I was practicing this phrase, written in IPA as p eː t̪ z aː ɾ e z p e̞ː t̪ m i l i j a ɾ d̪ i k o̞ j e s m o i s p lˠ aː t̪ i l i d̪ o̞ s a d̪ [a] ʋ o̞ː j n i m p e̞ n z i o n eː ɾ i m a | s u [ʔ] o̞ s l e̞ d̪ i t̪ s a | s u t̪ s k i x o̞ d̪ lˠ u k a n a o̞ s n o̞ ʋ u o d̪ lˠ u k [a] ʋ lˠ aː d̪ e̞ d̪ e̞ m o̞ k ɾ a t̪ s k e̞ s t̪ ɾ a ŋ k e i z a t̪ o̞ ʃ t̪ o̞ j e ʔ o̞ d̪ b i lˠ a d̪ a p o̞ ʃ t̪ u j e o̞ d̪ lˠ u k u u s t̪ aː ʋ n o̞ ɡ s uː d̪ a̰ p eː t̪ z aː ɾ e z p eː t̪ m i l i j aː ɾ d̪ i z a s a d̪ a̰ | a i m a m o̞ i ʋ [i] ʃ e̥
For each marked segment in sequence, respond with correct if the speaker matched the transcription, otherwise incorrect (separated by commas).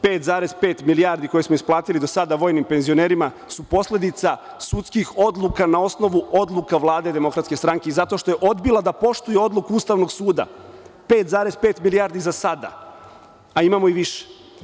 correct, incorrect, correct, correct